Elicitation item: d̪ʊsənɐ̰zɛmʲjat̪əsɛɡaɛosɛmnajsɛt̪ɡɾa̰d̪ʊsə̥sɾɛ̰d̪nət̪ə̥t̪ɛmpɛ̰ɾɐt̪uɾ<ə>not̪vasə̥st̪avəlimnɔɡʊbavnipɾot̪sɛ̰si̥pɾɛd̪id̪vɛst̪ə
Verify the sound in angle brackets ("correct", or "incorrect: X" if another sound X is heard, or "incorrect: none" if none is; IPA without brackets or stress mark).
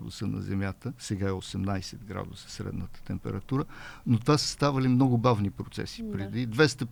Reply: correct